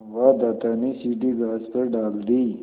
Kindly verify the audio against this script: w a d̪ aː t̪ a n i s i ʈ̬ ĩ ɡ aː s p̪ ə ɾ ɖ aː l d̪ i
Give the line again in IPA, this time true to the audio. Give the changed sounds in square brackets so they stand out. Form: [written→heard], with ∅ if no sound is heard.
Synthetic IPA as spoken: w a d̪ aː t̪ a n i s i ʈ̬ [ĩ→i] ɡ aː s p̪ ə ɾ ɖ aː l d̪ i